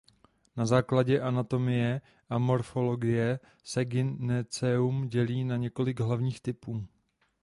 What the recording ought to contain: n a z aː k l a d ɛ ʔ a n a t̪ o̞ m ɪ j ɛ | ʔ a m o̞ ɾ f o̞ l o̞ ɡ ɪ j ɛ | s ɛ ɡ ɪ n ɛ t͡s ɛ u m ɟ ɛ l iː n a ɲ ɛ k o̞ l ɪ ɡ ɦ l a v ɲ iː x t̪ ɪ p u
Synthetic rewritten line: n a z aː k l a ɟ ɛ ʔ a n a t̪ o̞ m ɪ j ɛ | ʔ a m o̞ ɾ f o̞ l o̞ ɡ ɪ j ɛ | s ɛ ɡ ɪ n ɛ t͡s ɛ u m ɟ ɛ l iː n a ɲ ɛ k o̞ l ɪ ɡ ɦ l a v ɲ iː x t̪ ɪ p uː